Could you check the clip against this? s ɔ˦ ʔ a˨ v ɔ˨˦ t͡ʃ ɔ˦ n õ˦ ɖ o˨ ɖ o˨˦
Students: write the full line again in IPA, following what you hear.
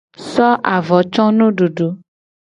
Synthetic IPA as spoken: s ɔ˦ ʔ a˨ v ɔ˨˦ t͡ʃ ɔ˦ n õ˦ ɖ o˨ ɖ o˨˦